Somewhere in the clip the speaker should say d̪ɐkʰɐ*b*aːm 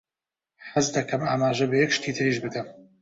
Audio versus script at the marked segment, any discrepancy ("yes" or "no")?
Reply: yes